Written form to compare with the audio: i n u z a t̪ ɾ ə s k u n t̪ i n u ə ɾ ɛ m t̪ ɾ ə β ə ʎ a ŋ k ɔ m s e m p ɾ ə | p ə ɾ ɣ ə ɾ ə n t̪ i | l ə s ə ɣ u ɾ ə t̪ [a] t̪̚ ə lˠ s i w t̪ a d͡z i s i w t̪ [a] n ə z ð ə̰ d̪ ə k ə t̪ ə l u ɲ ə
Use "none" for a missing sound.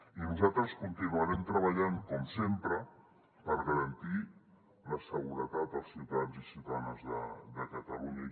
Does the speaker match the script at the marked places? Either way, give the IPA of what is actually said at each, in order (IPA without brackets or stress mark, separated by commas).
a, a